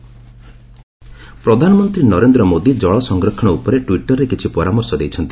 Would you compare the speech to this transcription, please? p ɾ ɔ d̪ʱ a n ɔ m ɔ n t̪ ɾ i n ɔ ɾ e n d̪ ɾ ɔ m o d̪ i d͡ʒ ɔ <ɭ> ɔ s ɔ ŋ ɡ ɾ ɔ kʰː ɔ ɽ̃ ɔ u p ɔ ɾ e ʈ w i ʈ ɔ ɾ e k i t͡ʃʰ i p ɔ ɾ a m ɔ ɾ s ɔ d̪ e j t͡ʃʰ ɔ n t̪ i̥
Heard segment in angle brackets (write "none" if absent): ɭ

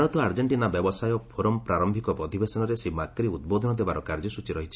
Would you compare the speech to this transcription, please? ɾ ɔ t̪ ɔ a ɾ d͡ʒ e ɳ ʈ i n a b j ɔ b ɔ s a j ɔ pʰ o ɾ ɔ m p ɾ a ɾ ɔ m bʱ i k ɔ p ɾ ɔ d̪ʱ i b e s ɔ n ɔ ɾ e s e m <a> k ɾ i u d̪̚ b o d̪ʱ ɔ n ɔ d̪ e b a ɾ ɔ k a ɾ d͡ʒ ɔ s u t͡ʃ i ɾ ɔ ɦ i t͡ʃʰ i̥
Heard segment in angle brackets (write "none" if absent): a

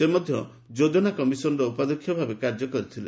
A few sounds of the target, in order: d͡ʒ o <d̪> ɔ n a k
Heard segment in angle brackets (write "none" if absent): d̪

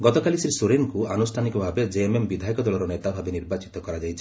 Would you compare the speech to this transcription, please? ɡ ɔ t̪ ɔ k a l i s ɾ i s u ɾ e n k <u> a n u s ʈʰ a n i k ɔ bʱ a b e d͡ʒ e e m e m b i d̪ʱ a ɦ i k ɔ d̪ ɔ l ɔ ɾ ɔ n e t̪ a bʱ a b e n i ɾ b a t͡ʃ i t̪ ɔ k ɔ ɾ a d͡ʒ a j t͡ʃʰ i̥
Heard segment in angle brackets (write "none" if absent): u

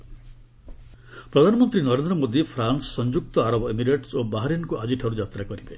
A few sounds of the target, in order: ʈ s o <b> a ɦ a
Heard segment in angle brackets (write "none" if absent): b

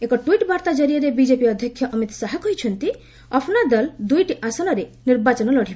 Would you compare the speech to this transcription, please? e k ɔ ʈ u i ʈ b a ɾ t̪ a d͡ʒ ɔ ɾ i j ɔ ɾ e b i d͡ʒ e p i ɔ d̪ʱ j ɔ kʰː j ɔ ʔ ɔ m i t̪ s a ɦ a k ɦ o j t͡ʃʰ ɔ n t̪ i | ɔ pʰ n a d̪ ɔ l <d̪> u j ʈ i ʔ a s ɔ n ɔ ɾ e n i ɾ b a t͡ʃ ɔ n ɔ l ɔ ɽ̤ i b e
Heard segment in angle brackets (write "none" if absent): d̪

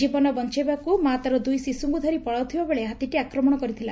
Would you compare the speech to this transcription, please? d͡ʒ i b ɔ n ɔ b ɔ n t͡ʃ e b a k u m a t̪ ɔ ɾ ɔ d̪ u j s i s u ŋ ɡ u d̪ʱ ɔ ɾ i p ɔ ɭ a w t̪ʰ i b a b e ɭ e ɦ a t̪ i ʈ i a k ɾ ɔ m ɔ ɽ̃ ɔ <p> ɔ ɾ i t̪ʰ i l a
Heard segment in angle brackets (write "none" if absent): k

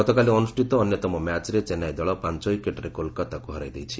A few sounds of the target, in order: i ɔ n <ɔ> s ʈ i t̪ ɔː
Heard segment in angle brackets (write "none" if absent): u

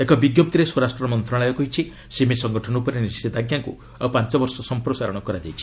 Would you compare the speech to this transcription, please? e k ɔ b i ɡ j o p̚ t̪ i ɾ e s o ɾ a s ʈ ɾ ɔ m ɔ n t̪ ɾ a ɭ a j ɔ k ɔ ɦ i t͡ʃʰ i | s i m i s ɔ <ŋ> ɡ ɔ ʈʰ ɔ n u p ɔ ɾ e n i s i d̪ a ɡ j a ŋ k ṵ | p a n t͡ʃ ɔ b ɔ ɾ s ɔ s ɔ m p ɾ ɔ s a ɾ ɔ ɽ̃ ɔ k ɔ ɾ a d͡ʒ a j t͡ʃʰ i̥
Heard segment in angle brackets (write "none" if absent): ŋ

